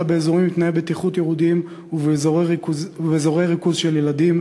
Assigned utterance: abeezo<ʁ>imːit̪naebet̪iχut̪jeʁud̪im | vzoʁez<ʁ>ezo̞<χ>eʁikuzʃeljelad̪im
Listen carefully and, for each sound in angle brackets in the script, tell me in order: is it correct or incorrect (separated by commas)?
correct, incorrect, incorrect